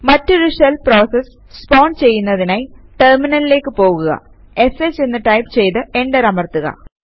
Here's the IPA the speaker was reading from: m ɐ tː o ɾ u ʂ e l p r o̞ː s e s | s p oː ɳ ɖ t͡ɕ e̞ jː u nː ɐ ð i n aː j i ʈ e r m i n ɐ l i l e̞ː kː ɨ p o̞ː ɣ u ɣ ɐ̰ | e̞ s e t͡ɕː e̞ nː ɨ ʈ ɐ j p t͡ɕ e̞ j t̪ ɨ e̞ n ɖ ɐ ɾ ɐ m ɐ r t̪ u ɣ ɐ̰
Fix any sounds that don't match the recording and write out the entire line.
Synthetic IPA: m ɐ tː o ɾ u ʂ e l p r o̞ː s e s | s p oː ɳ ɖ t͡ɕ e̞ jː u nː ɐ ð i n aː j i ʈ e r m i n ɐ l i l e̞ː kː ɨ p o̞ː ɣ u ɣ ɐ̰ | e̞ s e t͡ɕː e̞ nː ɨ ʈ ɐ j p t͡ɕ e̞ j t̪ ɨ e̞ ɳ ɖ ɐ ɾ ɐ m ɐ r t̪ u ɣ ɐ̰